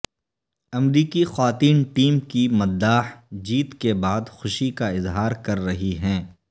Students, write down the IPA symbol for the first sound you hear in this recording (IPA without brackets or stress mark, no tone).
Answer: ɐ